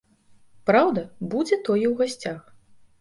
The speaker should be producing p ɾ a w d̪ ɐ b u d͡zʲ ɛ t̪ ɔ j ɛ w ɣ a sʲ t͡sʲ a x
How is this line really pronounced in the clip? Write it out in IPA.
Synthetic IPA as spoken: p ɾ a w d̪ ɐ b u d͡zʲ ɛ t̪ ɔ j ɛ w ɣ a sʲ t͡sʲ a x

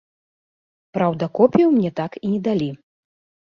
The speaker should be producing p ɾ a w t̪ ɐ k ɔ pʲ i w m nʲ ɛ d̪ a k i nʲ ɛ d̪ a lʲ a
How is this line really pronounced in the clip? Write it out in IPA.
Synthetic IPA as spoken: p ɾ a w d̪ ɐ k ɔ pʲ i w m nʲ ɛ t̪ a k i nʲ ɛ d̪ a lʲ i

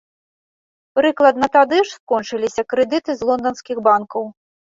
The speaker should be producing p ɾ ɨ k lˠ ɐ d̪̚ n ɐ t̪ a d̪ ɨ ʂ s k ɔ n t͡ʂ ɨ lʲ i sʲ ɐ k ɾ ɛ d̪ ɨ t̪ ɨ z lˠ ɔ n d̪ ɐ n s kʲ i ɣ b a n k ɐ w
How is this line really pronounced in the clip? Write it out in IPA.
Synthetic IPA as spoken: p ɾ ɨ k lˠ ɐ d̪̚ n ɐ t̪ a d̪ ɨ ʂ s k ɔ n t͡ʂ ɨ lʲ i sʲ ɐ k ɾ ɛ d̪ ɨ t̪ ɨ z lˠ ɔ n d̪ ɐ n s kʲ i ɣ b a n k ɐ w

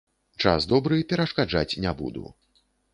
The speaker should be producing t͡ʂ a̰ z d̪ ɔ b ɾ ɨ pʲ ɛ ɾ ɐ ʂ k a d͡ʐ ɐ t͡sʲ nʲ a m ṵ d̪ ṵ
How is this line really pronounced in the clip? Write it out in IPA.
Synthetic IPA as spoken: t͡ʂ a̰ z d̪ ɔ b ɾ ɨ pʲ ɛ ɾ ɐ ʂ k a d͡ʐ a t͡sʲ nʲ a b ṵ d̪ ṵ

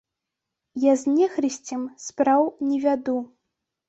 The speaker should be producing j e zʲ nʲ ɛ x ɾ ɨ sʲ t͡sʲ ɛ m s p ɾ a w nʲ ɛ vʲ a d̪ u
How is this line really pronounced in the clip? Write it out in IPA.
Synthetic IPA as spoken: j a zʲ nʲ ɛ x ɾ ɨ sʲ t͡sʲ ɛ m s p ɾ a w nʲ ɛ vʲ a d̪ u

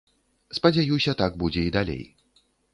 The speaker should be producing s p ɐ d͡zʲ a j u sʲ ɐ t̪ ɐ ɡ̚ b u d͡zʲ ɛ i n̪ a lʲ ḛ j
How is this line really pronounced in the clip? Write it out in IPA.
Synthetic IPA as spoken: s p ɐ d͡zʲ a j u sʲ ɐ t̪ a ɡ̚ b u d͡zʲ ɛ i d̪ a lʲ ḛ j

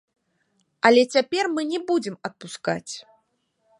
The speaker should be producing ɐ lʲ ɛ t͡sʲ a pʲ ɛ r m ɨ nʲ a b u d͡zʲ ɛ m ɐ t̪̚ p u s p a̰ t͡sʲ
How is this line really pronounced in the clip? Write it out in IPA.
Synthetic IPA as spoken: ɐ lʲ ɛ t͡sʲ a pʲ ɛ r m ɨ nʲ ɛ b u d͡zʲ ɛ m ɐ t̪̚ p u s k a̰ t͡sʲ

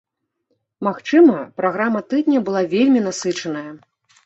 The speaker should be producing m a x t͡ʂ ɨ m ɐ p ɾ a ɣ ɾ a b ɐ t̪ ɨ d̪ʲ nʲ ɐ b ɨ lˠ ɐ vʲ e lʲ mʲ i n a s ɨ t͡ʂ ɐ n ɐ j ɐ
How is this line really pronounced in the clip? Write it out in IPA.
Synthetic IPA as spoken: m a x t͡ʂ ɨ m ɐ p ɾ a ɣ ɾ a m ɐ t̪ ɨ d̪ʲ nʲ ɐ b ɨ lˠ a vʲ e lʲ mʲ i n a s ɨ t͡ʂ ɐ n ɐ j ɐ

